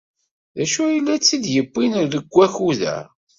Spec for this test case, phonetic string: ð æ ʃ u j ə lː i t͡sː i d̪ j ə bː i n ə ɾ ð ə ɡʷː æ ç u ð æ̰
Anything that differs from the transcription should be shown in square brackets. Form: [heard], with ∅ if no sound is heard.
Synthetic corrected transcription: ð æ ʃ u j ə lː [æ] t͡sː i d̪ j ə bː i n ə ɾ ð ə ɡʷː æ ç u ð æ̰